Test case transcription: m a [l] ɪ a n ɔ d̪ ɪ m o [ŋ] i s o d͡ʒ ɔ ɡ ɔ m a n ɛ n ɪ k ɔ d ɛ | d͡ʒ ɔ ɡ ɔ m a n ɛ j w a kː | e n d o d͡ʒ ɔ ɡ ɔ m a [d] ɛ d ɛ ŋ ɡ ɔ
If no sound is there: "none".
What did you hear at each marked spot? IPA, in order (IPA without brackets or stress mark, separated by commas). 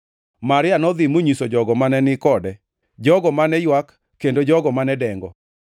ɾ, ɲ, n